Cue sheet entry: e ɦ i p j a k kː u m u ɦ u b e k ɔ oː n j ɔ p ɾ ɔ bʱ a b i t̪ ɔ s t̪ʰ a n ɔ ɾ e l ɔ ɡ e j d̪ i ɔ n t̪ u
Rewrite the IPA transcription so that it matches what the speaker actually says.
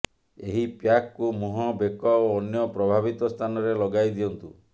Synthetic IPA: e ɦ i p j a k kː u m u ɦ ɔ b e k ɔ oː n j ɔ p ɾ ɔ bʱ a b i t̪ ɔ s t̪ʰ a n ɔ ɾ e l ɔ ɡ a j d̪ i ɔ n t̪ u